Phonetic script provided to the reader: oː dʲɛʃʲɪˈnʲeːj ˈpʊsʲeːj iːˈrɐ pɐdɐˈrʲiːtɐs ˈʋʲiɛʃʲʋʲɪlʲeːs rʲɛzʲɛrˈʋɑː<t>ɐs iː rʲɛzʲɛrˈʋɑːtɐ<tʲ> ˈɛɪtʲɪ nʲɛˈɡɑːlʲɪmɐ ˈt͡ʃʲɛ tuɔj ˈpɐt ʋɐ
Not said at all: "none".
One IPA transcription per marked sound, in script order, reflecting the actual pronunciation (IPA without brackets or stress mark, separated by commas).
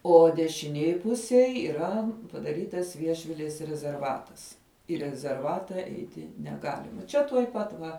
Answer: t, none